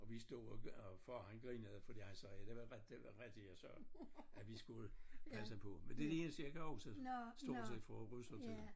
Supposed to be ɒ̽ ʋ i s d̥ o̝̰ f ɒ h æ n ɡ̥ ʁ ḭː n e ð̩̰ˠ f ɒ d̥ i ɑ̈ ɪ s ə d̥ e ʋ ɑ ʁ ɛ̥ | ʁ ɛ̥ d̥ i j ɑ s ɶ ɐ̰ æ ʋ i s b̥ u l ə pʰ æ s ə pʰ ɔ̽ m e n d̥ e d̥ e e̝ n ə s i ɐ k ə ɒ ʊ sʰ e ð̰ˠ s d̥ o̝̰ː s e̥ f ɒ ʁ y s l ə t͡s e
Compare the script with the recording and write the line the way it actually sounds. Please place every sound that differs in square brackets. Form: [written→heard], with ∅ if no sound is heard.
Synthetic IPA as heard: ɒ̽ ʋ i s d̥ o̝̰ f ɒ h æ n ɡ̥ ʁ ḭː n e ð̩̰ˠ f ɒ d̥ i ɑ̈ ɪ s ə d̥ e ʋ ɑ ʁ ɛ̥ | ʁ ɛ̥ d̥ i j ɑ s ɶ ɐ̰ æ ʋ i s [b̥→ɡ̥] u l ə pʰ æ s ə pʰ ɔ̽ m e n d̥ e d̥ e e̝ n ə s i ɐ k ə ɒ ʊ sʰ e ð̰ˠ s d̥ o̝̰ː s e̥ f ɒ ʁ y s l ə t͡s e